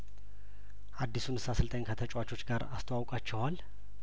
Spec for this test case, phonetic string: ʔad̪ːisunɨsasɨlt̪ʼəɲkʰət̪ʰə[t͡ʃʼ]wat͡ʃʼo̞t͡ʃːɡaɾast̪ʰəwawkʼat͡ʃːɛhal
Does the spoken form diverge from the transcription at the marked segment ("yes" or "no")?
no